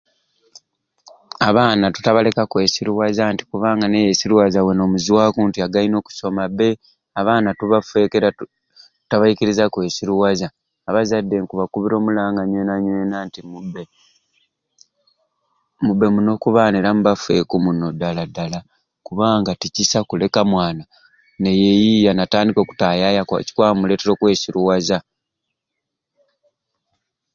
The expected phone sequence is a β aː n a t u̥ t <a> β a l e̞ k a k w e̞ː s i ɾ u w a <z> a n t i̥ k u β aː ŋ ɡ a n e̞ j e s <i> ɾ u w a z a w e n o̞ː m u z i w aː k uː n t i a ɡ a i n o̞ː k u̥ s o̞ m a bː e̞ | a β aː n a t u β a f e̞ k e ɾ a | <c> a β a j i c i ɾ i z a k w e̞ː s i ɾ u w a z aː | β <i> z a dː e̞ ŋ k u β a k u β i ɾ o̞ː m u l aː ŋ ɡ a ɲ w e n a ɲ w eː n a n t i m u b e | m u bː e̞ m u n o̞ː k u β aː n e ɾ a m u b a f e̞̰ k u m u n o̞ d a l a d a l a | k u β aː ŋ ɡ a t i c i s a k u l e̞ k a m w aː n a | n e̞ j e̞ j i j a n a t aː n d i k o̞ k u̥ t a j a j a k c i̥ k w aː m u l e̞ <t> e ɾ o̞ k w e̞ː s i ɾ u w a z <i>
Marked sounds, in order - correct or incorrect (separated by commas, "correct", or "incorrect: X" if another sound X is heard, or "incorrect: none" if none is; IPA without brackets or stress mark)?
correct, correct, correct, incorrect: t, incorrect: a, correct, incorrect: a